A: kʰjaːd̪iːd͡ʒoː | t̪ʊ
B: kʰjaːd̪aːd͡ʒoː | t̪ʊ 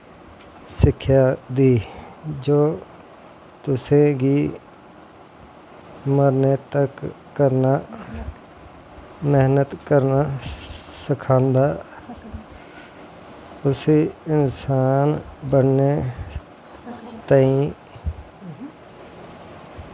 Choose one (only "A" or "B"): A